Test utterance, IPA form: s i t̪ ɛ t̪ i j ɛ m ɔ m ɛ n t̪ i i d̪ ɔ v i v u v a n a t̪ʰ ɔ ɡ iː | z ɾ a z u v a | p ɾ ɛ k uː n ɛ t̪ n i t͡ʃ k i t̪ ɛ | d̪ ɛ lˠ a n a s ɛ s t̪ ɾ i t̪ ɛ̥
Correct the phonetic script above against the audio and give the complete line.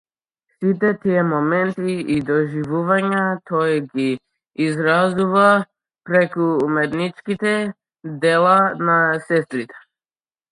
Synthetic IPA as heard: s i t̪ ɛ t̪ i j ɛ m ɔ m ɛ n t̪ i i d̪ ɔ ʒ i v u v a ɲ a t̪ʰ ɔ ɡ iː | z ɾ a z u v a | p ɾ ɛ k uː m ɛ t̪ n i t͡ʃ k i t̪ ɛ | d̪ ɛ lˠ a n a s ɛ s t̪ ɾ i t̪ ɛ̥